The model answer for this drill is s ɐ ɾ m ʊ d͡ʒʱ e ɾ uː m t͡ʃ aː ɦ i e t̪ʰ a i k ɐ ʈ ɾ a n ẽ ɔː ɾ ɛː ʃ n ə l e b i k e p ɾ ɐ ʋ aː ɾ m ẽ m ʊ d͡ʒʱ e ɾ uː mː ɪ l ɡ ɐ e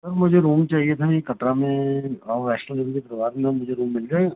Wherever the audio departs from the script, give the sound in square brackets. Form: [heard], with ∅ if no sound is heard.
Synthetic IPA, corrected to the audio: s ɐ ɾ m ʊ d͡ʒʱ e ɾ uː m t͡ʃ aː ɦ i e t̪ʰ a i k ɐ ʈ ɾ a [m] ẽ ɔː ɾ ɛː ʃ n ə l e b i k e p ɾ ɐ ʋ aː ɾ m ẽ m ʊ d͡ʒʱ e ɾ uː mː ɪ l ɡ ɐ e